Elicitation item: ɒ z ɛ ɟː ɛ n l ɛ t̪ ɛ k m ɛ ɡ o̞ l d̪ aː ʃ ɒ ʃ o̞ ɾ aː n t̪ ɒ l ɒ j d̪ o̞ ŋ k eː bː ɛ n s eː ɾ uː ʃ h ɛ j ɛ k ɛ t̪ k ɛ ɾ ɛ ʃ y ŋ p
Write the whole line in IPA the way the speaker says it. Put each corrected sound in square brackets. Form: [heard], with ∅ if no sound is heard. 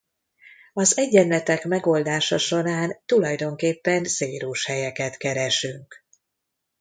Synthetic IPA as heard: ɒ z ɛ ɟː ɛ n l ɛ t̪ ɛ k m ɛ ɡ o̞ l d̪ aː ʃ ɒ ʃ o̞ ɾ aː n t̪ [u] l ɒ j d̪ o̞ ŋ k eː [pː] ɛ n s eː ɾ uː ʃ h ɛ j ɛ k ɛ t̪ k ɛ ɾ ɛ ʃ y ŋ [k]